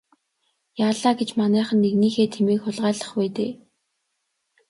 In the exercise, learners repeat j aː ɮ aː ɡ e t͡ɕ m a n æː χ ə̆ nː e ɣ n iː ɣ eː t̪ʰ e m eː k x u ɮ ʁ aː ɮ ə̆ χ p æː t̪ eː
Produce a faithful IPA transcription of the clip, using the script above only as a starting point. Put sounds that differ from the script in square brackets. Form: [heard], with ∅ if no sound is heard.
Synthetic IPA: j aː ɮ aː ɡ e t͡ɕ m a n æː χ ə̆ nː e ɣ n iː [x] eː t̪ʰ e m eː k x [ʊ] ɮ ʁ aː ɮ ə̆ χ p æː t̪ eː